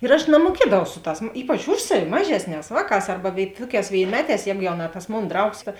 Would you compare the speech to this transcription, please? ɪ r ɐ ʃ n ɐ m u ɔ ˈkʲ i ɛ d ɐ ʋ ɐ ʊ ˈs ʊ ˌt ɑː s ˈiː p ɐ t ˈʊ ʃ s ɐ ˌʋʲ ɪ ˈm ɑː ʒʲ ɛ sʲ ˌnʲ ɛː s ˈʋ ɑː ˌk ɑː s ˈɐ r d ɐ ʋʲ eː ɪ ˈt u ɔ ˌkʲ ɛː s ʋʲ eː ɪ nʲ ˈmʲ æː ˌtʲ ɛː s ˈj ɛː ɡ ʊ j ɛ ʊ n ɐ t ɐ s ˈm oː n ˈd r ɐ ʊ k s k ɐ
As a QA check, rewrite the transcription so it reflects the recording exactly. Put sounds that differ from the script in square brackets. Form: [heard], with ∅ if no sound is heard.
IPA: ɪ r ɐ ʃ n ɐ m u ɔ ˈkʲ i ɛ d ɐ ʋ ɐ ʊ ˈs ʊ ˌt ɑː s ˈiː p ɐ [t͡ʃ] ˈʊ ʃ s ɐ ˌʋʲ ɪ ˈm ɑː ʒʲ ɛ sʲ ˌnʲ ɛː s ˈʋ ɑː ˌk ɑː s ˈɐ r [b] ɐ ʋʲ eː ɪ ˈt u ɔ ˌkʲ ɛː s ʋʲ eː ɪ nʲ ˈmʲ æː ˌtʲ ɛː s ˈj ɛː ɡ ʊ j ɛ ʊ n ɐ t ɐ s ˈm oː n ˈd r ɐ ʊ k s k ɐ